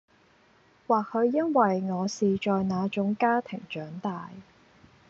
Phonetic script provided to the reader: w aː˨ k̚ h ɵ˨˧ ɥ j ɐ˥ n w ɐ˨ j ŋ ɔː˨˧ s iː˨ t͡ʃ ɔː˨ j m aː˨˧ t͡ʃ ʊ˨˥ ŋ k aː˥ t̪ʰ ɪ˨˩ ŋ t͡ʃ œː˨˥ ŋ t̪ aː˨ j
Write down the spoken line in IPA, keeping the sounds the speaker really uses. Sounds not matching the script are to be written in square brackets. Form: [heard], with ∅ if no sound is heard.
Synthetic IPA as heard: w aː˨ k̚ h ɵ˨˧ ɥ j ɐ˥ n w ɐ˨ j ŋ ɔː˨˧ s iː˨ t͡ʃ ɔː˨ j [n] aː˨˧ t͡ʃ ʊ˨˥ ŋ k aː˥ t̪ʰ ɪ˨˩ ŋ t͡ʃ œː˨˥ ŋ t̪ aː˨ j